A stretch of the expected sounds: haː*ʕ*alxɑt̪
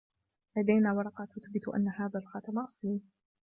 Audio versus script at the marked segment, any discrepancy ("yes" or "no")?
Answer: yes